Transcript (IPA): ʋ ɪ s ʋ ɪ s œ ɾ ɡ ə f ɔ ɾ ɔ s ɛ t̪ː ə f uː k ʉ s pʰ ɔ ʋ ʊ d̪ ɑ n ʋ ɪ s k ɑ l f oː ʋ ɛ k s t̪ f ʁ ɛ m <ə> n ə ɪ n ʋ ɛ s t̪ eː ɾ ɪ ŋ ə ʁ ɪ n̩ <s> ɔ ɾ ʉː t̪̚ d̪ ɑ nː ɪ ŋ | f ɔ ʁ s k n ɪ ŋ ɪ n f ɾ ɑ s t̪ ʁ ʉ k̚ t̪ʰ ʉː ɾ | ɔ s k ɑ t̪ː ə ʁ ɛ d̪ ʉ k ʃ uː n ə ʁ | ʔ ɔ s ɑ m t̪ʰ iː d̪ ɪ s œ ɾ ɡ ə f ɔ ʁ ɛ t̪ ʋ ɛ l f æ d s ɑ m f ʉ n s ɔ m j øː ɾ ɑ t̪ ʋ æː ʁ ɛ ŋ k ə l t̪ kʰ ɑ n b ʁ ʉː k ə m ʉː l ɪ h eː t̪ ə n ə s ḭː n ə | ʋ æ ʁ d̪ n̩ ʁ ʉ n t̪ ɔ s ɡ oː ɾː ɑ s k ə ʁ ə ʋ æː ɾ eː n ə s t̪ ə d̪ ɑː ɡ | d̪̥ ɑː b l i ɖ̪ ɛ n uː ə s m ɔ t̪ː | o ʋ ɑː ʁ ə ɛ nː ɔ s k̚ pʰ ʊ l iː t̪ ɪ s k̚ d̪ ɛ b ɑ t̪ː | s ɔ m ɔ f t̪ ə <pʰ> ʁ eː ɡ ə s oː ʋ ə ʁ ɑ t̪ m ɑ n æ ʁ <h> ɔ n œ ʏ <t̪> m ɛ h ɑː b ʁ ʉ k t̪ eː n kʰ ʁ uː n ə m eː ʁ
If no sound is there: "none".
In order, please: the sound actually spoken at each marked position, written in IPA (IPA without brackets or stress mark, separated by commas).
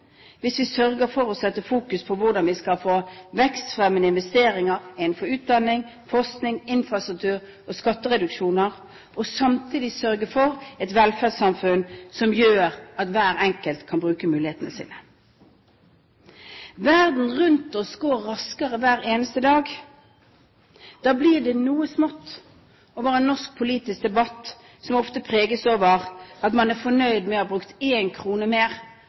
ə, f, pʰ, f, d̪